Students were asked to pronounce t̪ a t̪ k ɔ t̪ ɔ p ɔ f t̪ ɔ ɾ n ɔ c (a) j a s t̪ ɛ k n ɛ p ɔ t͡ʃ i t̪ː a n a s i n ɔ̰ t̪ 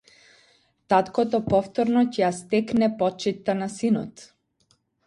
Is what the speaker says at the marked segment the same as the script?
no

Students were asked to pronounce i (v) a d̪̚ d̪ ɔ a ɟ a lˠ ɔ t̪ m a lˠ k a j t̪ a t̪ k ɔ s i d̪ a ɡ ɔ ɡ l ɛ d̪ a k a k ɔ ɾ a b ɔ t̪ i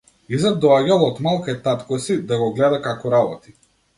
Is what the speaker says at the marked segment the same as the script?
no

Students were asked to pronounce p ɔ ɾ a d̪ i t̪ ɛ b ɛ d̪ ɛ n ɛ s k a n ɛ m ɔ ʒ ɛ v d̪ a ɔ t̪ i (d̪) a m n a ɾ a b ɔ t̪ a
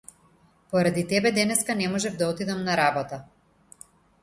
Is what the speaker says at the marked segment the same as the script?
yes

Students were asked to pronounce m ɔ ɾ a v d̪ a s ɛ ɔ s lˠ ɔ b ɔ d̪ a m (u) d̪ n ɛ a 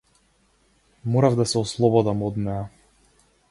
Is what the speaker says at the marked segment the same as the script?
no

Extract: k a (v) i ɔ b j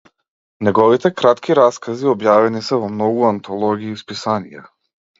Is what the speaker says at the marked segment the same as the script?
no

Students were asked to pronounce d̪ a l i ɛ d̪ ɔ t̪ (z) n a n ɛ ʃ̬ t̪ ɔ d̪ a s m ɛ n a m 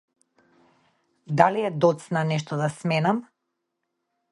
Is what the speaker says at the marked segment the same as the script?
no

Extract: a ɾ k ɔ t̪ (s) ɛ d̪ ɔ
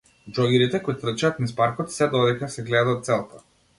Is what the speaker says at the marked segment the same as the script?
yes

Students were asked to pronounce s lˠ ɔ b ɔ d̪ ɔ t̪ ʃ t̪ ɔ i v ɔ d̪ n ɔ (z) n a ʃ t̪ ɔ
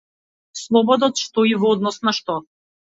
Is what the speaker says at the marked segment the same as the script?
no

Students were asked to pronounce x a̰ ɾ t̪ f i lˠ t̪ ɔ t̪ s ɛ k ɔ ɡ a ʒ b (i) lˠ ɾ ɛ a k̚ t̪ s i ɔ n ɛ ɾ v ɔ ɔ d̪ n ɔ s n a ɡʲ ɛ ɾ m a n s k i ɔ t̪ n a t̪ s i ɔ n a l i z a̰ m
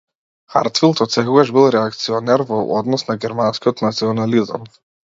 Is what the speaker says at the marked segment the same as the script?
yes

